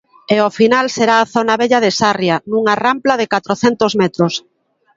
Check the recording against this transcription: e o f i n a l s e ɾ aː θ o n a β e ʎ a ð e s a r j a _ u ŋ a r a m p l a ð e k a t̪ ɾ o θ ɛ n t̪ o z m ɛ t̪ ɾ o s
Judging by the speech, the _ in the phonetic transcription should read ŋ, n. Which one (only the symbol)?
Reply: n